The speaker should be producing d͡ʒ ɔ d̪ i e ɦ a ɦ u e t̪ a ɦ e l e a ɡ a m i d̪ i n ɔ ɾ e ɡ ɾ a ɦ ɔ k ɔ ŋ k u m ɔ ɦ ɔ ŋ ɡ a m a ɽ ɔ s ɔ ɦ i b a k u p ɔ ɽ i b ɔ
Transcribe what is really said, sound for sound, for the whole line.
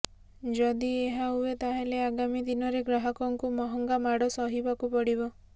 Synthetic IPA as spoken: d͡ʒ ɔ d̪ i e ɦ a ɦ u e t̪ a ɦ e l e a ɡ a m i d̪ i n ɔ ɾ e ɡ ɾ a ɦ ɔ k ɔ ŋ k u m ɔ ɦ ɔ ŋ ɡ a m a ɽ ɔ s ɔ ɦ i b a k u p ɔ ɽ i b ɔ